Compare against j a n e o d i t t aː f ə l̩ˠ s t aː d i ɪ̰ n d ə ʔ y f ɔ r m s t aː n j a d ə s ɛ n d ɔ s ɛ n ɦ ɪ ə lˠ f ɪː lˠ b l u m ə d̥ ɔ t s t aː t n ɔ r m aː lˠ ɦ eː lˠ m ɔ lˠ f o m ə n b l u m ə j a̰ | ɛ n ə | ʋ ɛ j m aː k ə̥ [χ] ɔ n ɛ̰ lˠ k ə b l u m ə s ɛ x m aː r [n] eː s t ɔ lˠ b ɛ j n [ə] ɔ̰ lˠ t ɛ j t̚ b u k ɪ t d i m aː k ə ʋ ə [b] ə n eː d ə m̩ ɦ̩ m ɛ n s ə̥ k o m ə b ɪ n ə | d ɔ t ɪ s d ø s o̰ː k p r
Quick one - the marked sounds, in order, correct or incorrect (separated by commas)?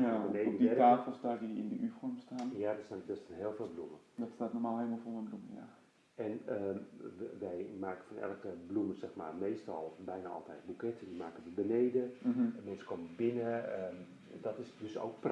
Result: incorrect, incorrect, incorrect, correct